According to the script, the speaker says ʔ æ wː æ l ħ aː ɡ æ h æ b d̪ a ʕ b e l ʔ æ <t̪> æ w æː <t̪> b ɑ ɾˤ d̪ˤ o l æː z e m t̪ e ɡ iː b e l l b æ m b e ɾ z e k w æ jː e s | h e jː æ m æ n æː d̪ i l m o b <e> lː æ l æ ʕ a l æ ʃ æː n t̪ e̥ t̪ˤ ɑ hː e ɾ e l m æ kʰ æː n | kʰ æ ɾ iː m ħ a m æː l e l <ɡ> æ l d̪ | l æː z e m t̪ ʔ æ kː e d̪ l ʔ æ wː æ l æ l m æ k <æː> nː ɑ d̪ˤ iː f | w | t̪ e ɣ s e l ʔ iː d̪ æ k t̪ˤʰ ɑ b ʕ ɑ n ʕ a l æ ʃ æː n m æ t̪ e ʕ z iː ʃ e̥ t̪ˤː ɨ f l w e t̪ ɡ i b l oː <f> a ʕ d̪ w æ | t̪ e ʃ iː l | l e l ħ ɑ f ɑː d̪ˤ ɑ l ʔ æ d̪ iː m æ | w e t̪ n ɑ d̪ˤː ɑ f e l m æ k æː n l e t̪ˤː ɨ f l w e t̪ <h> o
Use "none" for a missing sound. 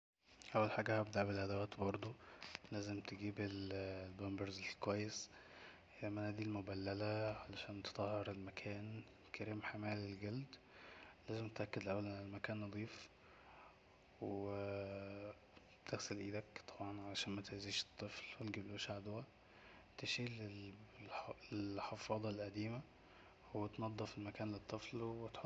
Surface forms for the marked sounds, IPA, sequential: d̪, t̪, æ, ɡ, æː, ʃ, ħ

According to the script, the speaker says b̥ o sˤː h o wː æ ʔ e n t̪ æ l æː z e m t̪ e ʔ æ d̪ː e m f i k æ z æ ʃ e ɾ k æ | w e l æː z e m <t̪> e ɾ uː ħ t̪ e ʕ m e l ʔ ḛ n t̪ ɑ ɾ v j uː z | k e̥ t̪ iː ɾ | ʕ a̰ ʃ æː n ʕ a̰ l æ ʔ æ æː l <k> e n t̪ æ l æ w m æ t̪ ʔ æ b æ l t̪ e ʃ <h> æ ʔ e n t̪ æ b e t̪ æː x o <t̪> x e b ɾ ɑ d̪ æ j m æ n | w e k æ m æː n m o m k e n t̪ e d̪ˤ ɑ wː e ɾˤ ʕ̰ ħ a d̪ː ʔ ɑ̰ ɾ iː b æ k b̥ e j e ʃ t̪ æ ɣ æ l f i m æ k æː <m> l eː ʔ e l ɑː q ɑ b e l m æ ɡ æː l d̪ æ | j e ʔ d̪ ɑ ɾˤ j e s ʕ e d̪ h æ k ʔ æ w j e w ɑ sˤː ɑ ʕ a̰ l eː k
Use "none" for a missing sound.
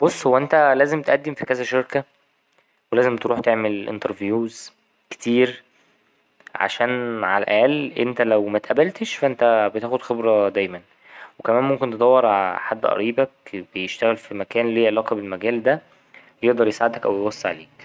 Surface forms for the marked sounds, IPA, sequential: t̪, ʔ, f, d̪, n

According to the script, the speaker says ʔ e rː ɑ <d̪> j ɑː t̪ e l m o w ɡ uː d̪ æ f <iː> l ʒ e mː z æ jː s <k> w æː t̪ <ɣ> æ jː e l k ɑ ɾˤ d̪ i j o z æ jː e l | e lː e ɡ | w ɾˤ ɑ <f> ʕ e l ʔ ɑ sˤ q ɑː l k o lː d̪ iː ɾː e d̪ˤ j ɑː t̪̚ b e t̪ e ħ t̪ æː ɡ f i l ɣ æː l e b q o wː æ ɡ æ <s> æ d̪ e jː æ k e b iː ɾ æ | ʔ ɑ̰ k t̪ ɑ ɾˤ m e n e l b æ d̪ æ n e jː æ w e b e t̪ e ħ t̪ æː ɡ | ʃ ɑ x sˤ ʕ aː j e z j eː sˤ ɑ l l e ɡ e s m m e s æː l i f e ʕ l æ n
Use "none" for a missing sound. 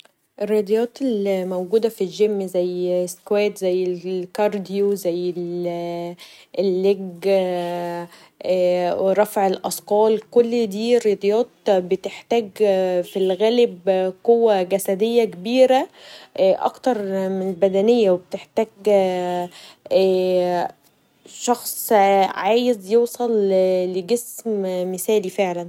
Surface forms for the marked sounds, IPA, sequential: d̪, i, k, z, f, s

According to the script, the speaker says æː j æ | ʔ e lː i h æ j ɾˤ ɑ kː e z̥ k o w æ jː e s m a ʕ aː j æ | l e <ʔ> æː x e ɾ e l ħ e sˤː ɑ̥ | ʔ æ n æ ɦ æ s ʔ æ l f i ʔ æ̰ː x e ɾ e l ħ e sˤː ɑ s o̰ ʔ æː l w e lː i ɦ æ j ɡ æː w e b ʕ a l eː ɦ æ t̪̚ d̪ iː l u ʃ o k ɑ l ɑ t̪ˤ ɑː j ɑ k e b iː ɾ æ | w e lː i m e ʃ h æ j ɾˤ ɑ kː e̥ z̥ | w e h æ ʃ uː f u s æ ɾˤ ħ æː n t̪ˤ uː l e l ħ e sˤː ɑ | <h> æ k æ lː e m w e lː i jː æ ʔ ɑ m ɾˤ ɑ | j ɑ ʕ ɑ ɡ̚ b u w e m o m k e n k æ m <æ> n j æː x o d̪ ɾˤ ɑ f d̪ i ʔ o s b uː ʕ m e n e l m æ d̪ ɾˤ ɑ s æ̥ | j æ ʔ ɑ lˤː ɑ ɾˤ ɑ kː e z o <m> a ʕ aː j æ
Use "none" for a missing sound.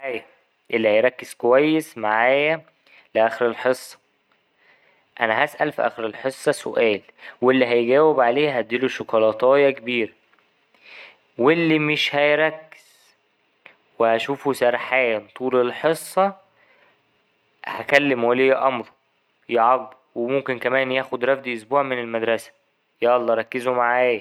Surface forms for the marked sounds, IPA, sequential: ʔ, h, æː, m

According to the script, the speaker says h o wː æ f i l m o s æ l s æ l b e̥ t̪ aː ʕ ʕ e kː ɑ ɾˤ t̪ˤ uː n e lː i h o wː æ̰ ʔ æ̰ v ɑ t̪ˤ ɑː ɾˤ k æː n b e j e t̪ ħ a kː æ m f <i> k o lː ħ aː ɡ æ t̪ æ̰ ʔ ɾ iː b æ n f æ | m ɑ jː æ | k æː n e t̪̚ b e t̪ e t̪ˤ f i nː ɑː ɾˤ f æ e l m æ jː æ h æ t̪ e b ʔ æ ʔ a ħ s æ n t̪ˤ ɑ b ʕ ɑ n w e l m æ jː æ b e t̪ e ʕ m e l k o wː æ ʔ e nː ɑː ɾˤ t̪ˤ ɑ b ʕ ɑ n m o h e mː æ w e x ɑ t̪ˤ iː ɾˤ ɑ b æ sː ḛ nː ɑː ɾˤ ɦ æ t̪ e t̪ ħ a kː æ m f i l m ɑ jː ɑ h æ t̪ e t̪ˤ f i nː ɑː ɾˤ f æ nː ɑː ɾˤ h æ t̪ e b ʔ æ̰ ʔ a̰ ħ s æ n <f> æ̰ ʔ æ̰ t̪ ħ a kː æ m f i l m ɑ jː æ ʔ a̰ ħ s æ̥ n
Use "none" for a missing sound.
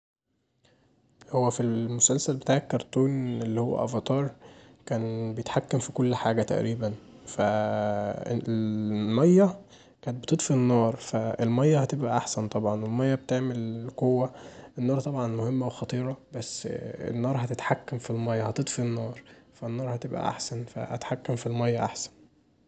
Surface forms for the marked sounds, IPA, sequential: i, f

